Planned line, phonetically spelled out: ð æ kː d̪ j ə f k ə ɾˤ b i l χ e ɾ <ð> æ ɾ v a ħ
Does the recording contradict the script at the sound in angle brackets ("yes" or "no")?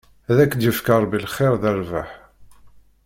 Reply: no